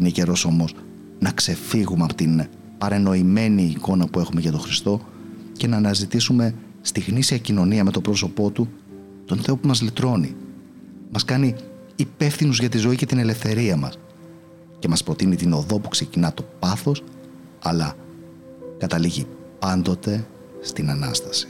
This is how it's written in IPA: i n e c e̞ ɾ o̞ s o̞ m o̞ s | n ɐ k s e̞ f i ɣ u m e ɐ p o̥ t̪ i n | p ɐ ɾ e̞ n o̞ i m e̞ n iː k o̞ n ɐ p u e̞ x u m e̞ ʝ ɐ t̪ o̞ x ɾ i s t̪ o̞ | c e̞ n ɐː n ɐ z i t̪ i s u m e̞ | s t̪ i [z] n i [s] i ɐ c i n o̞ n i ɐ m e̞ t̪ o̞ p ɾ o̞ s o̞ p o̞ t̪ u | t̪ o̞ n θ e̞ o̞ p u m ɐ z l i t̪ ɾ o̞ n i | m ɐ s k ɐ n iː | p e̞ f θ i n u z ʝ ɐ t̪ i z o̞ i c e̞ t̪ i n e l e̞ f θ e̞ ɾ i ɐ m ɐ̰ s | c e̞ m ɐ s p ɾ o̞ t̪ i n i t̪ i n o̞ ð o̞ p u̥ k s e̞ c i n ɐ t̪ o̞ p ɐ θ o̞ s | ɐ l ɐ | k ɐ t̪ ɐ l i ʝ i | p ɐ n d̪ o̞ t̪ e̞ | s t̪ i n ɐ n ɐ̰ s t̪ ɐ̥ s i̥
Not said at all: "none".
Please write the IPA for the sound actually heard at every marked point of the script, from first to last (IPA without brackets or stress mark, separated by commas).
ɣ, s